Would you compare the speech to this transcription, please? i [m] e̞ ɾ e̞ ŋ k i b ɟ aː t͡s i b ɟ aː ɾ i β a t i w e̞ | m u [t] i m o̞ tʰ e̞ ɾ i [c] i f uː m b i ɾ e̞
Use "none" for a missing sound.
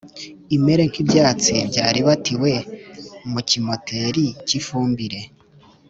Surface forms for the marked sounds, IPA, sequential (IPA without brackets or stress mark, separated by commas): m, c, c